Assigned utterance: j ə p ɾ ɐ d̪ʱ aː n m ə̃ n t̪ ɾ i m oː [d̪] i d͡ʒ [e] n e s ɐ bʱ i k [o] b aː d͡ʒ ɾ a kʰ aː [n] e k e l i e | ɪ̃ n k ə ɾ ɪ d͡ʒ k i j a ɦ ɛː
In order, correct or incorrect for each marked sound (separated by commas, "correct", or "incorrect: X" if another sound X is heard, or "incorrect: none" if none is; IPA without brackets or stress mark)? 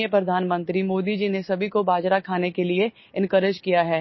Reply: correct, incorrect: i, correct, correct